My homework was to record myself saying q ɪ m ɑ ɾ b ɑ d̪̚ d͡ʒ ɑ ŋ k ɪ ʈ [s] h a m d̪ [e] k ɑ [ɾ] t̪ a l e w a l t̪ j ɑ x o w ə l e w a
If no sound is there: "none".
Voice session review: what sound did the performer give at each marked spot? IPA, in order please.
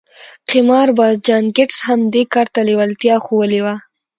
s, e, ɾ

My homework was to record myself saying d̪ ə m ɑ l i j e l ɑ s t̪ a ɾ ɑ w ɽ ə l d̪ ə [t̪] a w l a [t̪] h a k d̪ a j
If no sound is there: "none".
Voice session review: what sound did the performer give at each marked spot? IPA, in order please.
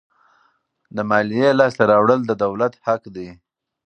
d̪, t̪

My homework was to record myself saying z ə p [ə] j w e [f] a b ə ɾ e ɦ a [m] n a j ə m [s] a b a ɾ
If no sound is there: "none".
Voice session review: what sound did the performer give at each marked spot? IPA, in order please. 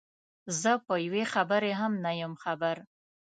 ə, x, m, x

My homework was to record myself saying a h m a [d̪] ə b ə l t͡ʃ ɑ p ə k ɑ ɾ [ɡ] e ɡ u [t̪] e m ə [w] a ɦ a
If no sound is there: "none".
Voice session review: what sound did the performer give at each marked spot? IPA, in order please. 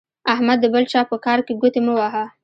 d̪ː, k, t̪, w

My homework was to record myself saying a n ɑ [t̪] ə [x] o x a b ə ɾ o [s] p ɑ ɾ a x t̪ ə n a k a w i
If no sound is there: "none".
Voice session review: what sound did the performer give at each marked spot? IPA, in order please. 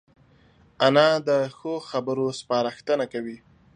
d̪, x, s

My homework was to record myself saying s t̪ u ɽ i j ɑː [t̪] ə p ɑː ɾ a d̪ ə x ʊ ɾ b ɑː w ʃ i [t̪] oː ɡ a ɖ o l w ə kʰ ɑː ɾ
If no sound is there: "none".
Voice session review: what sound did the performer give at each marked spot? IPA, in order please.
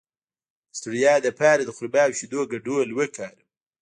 d̪, d̪

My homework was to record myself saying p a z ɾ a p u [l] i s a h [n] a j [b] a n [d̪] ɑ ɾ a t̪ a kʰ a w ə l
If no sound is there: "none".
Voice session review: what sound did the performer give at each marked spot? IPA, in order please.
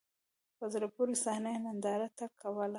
ɾ, n, m, d̪

